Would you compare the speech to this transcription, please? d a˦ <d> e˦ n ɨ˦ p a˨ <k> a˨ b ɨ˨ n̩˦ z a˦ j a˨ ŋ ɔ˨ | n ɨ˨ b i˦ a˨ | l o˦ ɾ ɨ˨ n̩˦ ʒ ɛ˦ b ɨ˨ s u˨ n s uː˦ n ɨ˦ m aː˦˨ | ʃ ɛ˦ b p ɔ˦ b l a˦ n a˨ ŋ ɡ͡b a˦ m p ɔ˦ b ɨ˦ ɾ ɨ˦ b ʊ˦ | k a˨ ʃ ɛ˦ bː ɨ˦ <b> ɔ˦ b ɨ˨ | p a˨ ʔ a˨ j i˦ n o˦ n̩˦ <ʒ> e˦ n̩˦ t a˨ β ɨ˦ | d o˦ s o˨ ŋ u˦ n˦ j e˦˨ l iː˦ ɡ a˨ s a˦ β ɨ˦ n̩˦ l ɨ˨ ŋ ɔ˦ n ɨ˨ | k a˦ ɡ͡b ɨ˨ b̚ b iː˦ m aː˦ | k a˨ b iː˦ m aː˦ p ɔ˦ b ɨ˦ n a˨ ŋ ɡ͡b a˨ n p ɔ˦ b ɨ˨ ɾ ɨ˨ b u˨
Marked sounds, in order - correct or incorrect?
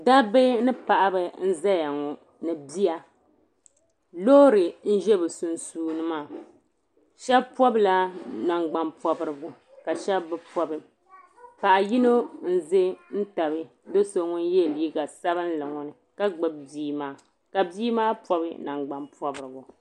incorrect: b, incorrect: ʔ, incorrect: p, incorrect: z

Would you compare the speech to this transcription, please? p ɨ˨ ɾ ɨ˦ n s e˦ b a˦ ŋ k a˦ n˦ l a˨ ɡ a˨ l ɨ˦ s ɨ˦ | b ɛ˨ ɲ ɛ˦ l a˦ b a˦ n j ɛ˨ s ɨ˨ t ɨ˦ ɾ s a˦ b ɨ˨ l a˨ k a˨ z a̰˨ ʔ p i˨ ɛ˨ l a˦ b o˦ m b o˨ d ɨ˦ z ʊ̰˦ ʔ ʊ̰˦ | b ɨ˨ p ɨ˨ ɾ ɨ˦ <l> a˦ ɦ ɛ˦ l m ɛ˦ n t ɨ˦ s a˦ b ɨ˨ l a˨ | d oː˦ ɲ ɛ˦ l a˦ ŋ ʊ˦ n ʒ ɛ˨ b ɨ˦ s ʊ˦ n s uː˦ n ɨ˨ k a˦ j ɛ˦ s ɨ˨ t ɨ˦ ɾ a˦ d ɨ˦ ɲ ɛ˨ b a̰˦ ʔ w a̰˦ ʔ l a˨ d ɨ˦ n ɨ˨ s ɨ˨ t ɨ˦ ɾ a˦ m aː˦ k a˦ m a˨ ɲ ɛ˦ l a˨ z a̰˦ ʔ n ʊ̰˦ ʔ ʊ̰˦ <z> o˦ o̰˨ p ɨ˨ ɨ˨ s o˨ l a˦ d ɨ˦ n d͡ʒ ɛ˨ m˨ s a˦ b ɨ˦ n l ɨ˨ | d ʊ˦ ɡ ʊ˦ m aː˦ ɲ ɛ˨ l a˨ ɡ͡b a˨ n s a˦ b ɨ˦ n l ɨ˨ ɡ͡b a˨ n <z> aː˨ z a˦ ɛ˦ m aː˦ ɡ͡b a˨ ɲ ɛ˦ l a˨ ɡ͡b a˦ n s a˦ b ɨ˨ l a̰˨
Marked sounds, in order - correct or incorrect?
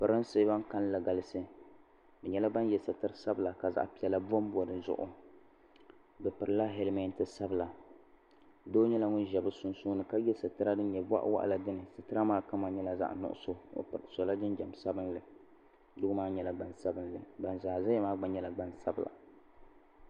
correct, incorrect: s, correct

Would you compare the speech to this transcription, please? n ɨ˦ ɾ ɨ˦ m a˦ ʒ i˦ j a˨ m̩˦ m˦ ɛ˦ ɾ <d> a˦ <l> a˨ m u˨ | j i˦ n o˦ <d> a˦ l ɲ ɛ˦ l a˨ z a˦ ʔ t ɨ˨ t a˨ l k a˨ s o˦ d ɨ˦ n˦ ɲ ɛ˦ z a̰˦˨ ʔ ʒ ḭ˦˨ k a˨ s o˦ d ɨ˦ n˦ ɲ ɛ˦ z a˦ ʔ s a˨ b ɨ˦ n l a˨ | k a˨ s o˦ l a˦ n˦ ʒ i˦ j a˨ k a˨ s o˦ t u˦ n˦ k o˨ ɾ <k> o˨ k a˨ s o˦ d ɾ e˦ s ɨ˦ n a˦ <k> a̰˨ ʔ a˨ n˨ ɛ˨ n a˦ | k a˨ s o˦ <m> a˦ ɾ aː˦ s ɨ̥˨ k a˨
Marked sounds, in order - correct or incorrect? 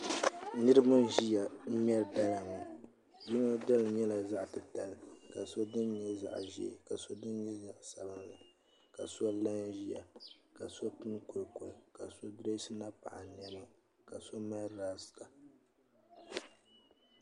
correct, correct, correct, correct, incorrect: p, correct

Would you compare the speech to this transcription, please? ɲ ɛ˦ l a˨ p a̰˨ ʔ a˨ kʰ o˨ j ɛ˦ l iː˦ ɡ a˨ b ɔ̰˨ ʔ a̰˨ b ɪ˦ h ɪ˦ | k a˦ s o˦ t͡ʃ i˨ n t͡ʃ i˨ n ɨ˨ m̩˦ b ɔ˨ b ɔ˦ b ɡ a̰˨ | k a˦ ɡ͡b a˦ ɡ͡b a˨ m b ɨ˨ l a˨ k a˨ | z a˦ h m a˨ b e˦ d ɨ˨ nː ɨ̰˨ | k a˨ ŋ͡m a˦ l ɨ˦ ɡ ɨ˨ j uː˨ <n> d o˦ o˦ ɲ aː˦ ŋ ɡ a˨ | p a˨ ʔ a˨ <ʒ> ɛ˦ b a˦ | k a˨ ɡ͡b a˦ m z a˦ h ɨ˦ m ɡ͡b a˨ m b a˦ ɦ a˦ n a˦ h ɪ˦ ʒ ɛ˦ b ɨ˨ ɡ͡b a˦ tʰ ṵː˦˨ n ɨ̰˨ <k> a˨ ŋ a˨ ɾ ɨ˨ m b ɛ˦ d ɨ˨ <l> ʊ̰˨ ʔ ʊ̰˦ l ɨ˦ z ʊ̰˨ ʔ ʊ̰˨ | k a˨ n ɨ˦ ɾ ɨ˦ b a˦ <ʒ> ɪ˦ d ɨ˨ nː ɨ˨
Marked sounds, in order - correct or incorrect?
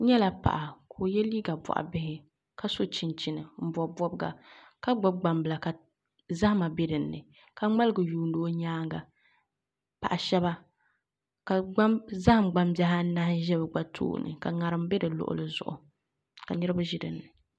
correct, incorrect: ʃ, correct, correct, correct

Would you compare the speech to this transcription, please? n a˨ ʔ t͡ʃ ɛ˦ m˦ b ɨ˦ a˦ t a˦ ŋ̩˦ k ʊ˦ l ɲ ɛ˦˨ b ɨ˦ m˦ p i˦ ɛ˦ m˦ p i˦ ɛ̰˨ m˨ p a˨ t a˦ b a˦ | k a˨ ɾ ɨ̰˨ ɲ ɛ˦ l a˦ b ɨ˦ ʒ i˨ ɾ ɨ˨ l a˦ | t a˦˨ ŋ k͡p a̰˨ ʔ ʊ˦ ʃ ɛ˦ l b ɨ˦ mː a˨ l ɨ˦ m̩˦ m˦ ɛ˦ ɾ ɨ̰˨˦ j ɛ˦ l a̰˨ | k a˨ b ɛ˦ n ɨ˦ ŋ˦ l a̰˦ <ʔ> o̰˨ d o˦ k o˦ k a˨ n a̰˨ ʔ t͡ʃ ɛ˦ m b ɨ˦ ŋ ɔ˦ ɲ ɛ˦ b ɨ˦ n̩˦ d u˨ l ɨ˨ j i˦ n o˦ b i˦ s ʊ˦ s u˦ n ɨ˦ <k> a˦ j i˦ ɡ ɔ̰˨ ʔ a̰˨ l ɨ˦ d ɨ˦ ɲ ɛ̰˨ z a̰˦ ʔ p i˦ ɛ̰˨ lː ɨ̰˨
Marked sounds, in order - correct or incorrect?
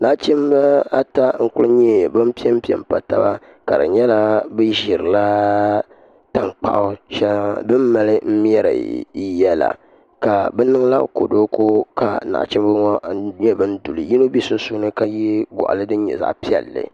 incorrect: k, correct

